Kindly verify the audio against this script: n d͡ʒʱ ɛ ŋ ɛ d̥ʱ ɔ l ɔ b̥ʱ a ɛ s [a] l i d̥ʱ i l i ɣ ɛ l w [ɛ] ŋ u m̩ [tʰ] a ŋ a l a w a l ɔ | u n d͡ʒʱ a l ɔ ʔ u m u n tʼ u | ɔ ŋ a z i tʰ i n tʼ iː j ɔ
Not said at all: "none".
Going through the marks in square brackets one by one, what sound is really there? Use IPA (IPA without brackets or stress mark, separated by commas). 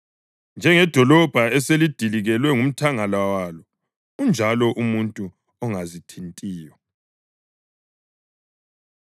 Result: e, ɛ, tʰ